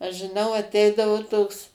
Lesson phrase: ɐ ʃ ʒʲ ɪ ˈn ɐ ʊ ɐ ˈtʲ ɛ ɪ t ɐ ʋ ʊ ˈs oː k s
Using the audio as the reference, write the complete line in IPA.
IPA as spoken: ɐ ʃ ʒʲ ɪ ˈn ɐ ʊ ɐ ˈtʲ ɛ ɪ d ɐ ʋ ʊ ˈt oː k s